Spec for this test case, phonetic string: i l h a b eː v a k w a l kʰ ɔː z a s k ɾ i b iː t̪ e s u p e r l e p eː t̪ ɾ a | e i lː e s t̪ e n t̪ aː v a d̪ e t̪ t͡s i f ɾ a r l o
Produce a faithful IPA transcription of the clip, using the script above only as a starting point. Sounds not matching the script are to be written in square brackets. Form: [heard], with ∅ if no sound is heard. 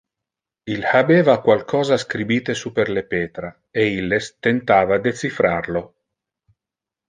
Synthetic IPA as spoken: i l h a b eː v a k w a l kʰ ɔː z a s k ɾ i b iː t̪ e s u p e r l e p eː t̪ ɾ a | e i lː e s t̪ e n t̪ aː v a d̪ e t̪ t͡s i f ɾ a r l o